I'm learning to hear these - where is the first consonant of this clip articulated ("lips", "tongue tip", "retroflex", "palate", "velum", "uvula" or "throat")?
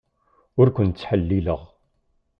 tongue tip